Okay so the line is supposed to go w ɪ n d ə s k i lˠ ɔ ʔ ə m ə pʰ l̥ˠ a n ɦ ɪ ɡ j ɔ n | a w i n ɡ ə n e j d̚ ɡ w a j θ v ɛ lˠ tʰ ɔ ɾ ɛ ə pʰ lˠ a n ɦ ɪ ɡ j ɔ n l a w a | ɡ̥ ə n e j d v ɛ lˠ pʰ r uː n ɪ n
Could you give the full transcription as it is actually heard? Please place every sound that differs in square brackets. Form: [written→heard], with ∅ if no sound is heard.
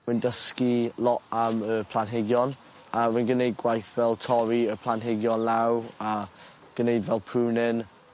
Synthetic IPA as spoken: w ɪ n d ə s k i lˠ ɔ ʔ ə m ə pʰ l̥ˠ a n ɦ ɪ ɡ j ɔ n | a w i n ɡ ə n e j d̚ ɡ w a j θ v ɛ lˠ tʰ ɔ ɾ [ɛ→i] ə pʰ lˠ a n ɦ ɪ ɡ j ɔ n l a w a | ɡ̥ ə n e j d v ɛ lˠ pʰ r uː n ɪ n